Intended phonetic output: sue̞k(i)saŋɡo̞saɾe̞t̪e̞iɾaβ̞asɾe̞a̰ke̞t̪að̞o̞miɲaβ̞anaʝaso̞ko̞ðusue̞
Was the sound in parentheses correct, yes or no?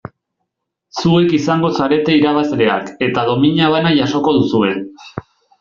yes